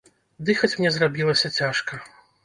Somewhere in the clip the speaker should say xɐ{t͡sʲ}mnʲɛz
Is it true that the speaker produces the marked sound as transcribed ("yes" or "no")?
yes